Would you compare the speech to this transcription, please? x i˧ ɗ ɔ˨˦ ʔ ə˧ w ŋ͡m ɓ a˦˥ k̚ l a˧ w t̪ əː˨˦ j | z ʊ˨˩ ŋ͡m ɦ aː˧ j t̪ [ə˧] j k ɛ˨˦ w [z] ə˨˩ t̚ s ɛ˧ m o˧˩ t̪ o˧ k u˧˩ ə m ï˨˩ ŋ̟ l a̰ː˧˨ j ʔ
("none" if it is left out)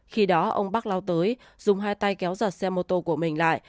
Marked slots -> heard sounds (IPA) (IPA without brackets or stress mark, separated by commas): a˧, z